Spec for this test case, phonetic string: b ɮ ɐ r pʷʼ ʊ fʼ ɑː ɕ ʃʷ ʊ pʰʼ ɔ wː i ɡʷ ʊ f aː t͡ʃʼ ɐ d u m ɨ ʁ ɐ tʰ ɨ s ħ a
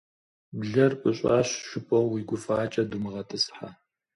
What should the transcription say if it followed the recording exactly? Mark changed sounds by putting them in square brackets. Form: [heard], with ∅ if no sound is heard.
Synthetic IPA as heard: b ɮ ɐ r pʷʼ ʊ [ɕʼ] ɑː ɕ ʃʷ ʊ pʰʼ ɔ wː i ɡʷ ʊ f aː t͡ʃʼ ɐ d u m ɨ ʁ ɐ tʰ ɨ s ħ a